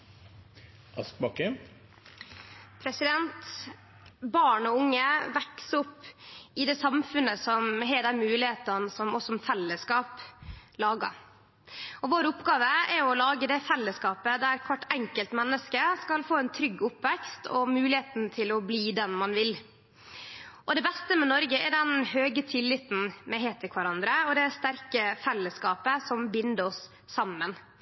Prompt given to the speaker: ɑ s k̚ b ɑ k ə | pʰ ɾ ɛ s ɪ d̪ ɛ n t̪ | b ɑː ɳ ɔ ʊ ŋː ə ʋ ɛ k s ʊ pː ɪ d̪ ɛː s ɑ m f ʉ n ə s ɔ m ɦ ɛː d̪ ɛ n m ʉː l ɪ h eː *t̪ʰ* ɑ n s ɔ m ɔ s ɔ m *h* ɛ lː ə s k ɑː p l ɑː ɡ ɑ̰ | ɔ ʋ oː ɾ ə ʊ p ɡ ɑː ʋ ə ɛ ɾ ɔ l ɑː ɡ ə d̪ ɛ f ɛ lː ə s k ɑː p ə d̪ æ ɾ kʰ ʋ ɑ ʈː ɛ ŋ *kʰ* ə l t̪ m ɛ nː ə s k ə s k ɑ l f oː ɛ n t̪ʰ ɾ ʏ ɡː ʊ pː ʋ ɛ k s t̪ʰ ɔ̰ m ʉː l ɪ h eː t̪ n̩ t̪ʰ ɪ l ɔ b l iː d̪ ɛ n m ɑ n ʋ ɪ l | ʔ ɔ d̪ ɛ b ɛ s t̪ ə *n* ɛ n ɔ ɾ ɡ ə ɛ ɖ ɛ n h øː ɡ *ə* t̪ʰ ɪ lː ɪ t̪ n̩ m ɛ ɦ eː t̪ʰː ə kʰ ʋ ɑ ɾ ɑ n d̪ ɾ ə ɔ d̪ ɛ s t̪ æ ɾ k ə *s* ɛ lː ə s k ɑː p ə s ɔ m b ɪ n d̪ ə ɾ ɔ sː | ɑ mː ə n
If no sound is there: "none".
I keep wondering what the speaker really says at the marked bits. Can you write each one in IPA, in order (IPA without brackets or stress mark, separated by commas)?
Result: t̪, f, k, m, ə, f